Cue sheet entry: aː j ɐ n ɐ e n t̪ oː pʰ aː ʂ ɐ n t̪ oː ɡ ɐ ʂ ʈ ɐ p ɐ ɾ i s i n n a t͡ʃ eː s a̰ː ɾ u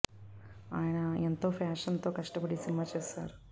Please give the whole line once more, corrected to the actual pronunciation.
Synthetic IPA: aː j ɐ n ɐ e n t̪ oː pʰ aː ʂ ɐ n t̪ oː k ɐ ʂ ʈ ɐ p ɐ ɽ i s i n m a t͡ʃ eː s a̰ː ɾ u